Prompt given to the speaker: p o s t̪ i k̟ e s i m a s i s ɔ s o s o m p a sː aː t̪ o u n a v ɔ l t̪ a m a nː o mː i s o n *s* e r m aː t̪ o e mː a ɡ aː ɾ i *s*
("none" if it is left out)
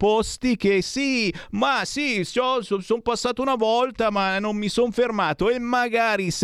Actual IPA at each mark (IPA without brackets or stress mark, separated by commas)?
f, s